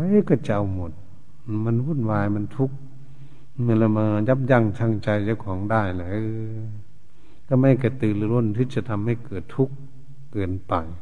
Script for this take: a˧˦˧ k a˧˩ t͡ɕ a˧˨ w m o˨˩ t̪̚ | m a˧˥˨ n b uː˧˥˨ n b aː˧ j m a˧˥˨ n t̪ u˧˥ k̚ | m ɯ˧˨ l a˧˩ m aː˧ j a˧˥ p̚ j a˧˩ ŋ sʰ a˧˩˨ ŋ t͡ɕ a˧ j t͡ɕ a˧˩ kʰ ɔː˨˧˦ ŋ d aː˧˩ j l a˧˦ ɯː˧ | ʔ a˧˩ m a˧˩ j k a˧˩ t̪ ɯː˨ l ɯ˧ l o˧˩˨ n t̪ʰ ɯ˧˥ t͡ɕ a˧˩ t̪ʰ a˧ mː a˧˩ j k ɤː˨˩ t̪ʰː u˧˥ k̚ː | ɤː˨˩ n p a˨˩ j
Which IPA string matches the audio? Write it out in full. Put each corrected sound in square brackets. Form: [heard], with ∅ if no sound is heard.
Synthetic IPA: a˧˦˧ k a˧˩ t͡ɕ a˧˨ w m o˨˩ t̪̚ | m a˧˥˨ n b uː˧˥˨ n [w] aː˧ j m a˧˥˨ n [t̪ʰ] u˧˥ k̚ | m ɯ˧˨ l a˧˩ m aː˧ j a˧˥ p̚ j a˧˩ ŋ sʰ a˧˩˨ ŋ t͡ɕ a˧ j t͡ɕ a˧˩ kʰ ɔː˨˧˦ ŋ d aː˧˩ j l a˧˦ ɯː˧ | [k] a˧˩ m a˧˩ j k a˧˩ t̪ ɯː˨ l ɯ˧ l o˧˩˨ n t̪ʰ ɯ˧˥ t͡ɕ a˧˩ t̪ʰ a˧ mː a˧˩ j k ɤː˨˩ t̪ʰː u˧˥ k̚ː | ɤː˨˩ n p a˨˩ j